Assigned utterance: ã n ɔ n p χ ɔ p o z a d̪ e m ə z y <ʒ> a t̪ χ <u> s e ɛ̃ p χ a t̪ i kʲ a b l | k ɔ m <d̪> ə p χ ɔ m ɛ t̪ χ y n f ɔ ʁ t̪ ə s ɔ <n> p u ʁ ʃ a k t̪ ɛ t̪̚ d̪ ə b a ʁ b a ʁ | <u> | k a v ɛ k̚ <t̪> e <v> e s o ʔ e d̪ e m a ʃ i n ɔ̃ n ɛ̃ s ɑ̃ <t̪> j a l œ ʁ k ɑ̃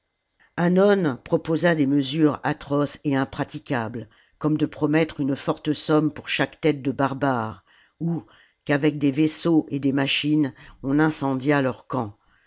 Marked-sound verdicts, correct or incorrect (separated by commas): incorrect, incorrect, correct, incorrect, correct, incorrect, correct, incorrect